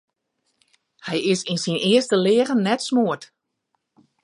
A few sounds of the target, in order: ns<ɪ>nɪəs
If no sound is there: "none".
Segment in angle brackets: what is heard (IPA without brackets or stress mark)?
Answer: i